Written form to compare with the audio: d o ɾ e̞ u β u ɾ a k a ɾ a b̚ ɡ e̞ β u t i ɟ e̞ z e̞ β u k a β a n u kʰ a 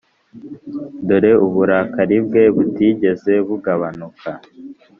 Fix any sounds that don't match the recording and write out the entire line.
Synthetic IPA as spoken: d o ɾ e̞ u β u ɾ a k a ɾ i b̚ ɡ e̞ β u t i ɟ e̞ z e̞ β u ɡ a β a n u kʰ a